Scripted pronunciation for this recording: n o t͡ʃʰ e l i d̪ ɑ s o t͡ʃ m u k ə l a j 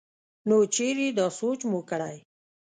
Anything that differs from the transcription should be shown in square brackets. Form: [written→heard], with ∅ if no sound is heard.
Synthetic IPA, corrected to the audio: n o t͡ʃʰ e [l→ɾ] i d̪ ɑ s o t͡ʃ m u k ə [l→ɽ] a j